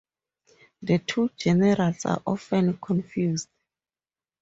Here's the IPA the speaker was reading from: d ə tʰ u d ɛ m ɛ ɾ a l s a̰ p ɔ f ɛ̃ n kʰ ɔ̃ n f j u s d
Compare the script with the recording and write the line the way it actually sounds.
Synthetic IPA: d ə tʰ u d͡ʒ ɛ n ɛ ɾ a l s a̰ ʔ ɔ f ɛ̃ n kʰ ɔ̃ n f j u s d